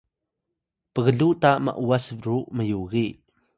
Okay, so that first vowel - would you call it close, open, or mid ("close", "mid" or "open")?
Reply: mid